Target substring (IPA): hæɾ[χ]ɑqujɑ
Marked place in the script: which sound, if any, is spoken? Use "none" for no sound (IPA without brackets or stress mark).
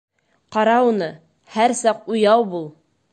s